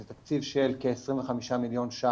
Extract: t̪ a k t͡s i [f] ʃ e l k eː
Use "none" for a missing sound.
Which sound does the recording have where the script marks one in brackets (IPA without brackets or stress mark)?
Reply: v